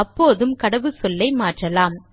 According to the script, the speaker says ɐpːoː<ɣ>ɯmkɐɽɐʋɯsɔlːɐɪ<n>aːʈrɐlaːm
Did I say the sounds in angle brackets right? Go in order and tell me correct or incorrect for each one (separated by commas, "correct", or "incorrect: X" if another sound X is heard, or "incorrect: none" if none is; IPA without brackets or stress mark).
incorrect: ð, incorrect: m